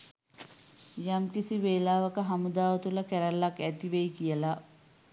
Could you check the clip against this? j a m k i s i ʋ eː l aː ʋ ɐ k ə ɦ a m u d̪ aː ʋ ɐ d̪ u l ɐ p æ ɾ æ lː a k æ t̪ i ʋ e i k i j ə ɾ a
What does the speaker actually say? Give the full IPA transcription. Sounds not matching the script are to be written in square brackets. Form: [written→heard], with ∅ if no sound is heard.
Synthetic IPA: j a m k i s i ʋ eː l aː ʋ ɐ k ə ɦ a m u d̪ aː ʋ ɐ [d̪→t̪] u l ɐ [p→k] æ ɾ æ lː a k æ t̪ i ʋ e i k i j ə [ɾ→l] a